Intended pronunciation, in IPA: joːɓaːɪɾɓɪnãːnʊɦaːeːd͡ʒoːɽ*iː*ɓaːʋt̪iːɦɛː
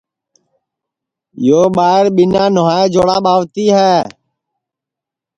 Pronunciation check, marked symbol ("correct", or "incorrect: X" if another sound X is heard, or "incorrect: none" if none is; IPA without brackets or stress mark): incorrect: aː